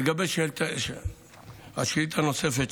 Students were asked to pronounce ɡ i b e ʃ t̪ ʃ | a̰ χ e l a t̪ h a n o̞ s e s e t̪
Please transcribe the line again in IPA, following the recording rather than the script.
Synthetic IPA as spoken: ɡ a b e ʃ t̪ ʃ | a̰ ʃ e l i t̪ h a n o̞ s e f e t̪

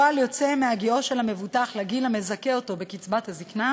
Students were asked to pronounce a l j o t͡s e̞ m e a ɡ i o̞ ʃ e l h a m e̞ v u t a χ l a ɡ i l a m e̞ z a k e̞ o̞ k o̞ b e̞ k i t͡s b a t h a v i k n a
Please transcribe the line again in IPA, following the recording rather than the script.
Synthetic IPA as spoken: a l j o t͡s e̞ m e a ɡ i o̞ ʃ e l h a m e̞ v u t a χ l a ɡ i l a m e̞ z a k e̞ o̞ t o̞ b e̞ k i t͡s b a t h a z i k n a

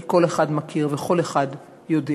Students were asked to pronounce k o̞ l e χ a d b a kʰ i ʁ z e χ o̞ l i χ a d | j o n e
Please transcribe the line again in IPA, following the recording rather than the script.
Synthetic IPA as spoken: k o̞ l e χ a d m a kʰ i ʁ v e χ o̞ l e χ a d | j o d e

